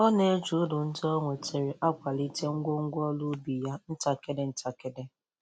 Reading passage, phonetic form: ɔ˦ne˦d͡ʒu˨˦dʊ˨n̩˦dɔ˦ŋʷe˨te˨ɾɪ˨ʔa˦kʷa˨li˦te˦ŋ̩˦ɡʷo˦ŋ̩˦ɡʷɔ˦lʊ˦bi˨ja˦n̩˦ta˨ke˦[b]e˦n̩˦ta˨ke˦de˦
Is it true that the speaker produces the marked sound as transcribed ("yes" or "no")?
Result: no